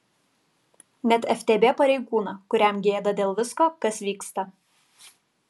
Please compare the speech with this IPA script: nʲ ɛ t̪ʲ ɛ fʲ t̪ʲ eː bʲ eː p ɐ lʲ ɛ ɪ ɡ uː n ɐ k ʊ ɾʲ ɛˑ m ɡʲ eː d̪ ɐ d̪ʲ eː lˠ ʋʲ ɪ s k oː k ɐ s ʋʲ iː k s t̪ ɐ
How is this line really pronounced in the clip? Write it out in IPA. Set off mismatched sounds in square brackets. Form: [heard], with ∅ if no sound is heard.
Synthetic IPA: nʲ ɛ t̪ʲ ɛ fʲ t̪ʲ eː bʲ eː p ɐ [ɾʲ] ɛ ɪ ɡ uː n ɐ k ʊ ɾʲ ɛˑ m ɡʲ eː d̪ ɐ d̪ʲ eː lˠ ʋʲ ɪ s k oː k ɐ s ʋʲ iː k s t̪ ɐ